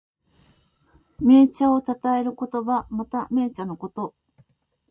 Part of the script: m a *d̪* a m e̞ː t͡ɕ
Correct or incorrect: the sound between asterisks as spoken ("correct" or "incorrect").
incorrect